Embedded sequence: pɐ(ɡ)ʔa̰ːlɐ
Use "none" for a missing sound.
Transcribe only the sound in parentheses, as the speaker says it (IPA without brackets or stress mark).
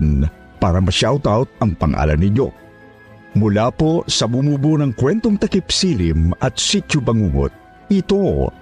ŋ